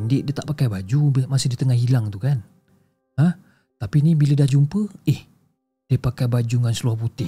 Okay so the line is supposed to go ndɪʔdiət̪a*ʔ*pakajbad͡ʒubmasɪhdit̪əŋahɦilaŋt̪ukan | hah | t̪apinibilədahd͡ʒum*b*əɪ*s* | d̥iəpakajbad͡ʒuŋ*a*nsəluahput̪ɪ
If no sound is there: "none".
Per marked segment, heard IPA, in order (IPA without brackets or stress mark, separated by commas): ʔ, p, h, a